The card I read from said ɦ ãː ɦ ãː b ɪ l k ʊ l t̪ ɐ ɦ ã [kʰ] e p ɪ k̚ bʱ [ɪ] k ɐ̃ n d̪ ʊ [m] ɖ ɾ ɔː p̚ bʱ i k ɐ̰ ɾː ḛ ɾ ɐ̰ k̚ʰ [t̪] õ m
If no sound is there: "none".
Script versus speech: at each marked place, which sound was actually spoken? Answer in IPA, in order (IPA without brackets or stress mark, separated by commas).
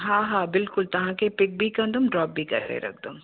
k, i, m, d̪